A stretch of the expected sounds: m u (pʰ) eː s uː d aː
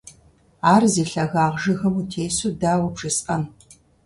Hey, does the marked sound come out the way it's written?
no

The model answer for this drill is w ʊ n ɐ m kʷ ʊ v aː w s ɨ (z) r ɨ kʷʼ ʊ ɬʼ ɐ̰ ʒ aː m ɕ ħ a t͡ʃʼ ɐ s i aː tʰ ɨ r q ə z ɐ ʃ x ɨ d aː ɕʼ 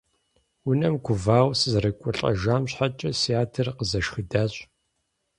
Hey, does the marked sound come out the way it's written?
yes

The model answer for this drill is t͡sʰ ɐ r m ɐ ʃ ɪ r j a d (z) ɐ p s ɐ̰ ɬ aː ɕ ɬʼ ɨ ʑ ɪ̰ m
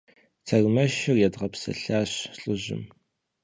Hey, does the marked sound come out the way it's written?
no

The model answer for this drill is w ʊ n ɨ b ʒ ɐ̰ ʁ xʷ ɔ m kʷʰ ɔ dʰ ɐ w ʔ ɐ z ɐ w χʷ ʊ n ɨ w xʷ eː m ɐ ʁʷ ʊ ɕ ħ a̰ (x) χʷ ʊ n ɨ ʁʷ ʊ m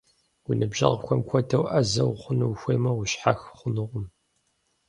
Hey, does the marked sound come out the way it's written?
yes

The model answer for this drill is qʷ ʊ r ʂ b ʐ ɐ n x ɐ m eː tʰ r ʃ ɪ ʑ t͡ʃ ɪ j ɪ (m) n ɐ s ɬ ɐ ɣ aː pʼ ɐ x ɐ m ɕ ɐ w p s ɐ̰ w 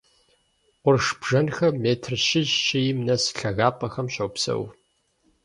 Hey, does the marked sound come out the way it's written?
yes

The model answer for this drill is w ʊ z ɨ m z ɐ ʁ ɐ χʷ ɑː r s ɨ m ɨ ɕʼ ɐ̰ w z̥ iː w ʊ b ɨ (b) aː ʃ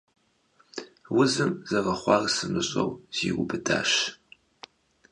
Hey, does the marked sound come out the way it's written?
no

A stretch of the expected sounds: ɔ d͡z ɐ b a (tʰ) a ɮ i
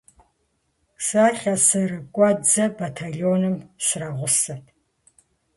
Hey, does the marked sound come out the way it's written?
yes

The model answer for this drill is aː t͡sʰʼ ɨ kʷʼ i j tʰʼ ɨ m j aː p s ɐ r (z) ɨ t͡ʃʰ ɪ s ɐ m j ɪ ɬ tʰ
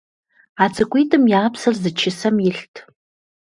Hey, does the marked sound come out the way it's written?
yes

